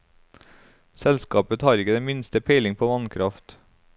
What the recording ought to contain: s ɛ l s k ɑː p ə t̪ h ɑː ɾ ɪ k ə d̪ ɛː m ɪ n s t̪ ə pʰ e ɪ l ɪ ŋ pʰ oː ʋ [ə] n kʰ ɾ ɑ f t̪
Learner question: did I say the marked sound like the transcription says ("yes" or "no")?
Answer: no